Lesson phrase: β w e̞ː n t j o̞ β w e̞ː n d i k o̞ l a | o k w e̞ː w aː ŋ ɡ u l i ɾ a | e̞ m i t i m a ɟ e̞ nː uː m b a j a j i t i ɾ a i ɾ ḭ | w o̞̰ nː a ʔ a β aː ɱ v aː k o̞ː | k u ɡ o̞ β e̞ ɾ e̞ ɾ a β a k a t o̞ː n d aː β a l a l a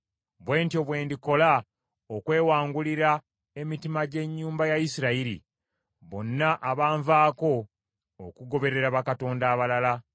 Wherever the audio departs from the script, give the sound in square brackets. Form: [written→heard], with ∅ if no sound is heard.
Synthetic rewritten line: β w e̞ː n t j o̞ β w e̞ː n d i k o̞ l a | o k w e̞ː w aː ŋ ɡ u l i ɾ a | e̞ m i t i m a ɟ e̞ [nː→ɲː] uː m b a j a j i [t→s] i ɾ a i ɾ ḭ | [w→β] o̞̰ nː a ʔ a β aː ɱ v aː k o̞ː | k u ɡ o̞ β e̞ ɾ e̞ ɾ a β a k a t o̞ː n d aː β a l a l a